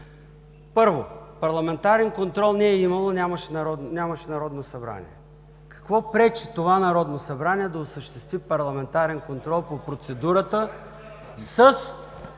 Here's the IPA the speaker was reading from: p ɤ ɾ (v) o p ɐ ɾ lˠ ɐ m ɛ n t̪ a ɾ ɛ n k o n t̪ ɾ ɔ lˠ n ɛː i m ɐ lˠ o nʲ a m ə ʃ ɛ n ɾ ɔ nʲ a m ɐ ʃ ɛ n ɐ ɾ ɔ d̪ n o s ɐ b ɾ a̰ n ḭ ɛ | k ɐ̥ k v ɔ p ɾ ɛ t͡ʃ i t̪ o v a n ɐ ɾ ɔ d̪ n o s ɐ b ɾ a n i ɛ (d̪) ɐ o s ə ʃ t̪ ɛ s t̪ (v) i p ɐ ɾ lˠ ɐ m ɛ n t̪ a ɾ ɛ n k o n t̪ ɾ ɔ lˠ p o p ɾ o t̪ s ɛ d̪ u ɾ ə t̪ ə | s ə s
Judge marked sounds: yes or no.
yes, yes, yes

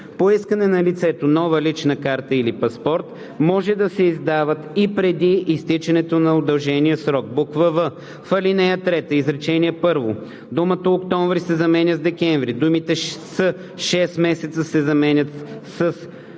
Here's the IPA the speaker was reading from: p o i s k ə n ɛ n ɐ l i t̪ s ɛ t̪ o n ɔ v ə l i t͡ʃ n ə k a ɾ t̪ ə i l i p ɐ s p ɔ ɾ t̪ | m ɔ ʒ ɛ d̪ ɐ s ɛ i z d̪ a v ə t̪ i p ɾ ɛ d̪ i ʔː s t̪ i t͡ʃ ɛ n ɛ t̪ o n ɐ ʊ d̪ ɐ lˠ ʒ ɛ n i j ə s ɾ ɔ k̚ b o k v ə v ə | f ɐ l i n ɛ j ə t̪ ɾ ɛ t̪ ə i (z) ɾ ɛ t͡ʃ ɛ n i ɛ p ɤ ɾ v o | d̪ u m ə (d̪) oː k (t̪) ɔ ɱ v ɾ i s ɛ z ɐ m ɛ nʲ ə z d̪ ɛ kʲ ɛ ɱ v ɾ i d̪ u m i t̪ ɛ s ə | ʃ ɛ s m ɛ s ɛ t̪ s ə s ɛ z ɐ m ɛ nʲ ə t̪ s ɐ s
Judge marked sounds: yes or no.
yes, no, yes

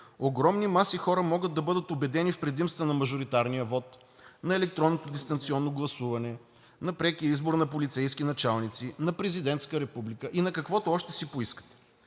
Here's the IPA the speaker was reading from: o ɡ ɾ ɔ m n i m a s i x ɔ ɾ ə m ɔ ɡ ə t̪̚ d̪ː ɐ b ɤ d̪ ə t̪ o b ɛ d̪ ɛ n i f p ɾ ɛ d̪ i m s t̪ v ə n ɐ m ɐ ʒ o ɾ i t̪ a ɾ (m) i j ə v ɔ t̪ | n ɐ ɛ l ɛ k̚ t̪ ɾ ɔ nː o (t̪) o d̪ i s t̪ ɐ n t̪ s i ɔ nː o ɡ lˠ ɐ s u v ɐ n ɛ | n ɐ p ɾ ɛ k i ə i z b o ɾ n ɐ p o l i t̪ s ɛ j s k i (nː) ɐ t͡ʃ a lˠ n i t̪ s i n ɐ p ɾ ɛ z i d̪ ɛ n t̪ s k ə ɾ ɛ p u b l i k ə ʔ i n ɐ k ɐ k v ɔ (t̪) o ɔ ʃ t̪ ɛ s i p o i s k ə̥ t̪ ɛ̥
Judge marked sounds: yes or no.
no, yes, no, yes

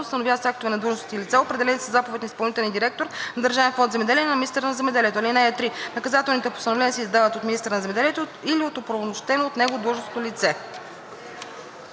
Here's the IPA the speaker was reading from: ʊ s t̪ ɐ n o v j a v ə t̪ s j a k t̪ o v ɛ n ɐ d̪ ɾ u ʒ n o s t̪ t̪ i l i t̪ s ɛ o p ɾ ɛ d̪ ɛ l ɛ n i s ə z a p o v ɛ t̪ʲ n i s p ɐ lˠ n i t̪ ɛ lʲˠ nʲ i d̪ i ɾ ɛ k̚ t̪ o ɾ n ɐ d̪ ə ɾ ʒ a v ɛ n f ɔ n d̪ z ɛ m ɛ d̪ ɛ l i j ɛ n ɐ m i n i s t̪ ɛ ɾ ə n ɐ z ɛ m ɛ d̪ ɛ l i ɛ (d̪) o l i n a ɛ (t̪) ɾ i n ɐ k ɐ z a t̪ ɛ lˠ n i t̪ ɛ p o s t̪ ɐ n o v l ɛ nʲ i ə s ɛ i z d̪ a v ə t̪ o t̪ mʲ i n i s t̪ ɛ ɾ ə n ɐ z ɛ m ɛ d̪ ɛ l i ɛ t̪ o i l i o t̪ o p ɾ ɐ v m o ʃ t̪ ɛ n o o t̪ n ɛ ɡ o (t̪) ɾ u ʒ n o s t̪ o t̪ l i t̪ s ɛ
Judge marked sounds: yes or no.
no, yes, no

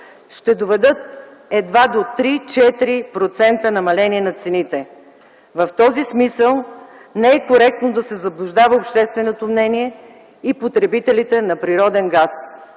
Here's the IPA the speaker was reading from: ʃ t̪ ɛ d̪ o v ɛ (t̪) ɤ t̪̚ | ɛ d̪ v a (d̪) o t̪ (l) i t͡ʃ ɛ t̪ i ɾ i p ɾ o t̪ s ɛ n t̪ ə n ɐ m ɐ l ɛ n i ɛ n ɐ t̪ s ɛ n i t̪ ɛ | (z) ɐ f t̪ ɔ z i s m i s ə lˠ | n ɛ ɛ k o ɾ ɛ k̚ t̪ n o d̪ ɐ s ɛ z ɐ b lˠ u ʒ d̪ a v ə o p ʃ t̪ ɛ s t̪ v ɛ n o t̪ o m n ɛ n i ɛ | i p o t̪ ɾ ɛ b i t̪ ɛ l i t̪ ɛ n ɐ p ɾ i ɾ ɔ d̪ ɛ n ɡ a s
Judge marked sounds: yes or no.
no, yes, no, no

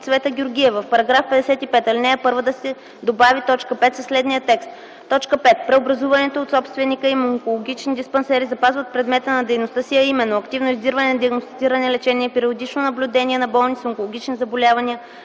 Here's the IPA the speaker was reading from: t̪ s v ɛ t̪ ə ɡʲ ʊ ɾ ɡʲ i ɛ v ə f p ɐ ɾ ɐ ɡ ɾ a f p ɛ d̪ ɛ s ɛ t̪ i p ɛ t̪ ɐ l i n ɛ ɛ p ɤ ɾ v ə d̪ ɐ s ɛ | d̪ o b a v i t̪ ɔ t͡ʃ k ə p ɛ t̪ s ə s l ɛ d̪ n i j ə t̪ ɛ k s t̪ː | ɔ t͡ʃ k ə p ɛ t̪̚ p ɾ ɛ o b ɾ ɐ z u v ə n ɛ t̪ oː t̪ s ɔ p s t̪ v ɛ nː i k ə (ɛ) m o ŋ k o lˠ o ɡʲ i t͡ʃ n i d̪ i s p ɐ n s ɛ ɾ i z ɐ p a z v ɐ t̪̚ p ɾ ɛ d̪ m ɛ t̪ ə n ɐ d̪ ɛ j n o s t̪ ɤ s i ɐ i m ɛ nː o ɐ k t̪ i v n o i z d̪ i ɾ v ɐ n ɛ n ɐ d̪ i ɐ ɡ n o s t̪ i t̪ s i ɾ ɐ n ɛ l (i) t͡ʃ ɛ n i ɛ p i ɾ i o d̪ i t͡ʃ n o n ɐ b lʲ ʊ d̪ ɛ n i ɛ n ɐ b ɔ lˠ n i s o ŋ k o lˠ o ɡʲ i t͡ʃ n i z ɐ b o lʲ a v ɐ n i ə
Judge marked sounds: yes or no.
no, no

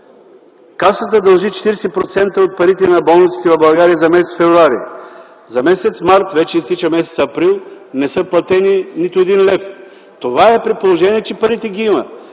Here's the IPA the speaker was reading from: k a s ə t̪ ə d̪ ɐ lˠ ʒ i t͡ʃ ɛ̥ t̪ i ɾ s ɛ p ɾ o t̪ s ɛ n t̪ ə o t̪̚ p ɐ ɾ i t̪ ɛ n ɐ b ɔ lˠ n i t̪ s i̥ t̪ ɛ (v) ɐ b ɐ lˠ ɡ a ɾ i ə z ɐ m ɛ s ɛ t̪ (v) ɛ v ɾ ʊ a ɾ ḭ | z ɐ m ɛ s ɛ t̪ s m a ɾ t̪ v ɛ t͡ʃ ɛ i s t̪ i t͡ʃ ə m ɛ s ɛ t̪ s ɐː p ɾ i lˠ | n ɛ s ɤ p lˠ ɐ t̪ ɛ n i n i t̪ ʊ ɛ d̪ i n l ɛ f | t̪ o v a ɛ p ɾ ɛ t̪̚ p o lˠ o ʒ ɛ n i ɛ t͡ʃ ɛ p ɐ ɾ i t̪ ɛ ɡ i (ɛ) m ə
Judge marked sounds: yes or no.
yes, no, no

